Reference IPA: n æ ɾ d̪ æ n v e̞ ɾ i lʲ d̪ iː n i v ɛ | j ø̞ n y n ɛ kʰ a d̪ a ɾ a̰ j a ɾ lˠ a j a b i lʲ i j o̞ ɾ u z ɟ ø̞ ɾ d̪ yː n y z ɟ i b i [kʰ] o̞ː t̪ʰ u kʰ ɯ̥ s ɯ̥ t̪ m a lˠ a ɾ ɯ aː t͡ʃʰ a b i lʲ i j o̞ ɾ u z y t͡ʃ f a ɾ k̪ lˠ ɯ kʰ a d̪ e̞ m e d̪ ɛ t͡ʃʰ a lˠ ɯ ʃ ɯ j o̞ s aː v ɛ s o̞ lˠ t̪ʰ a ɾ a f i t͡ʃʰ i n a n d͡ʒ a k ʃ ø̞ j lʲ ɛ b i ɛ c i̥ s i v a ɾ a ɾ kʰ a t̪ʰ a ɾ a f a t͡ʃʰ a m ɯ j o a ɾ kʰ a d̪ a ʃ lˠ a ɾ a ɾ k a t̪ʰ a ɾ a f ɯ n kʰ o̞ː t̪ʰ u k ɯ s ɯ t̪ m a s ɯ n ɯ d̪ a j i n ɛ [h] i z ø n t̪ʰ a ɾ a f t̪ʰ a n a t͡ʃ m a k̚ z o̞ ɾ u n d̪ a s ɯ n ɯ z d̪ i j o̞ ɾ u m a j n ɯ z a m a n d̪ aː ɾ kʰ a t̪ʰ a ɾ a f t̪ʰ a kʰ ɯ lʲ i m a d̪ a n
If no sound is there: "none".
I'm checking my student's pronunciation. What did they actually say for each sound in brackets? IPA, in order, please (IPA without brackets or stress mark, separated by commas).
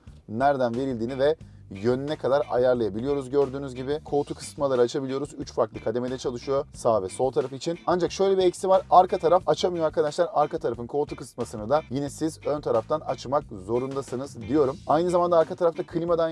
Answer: kʰ, s